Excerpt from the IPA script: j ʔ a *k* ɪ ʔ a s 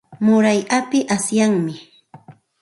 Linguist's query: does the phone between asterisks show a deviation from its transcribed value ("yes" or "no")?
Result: yes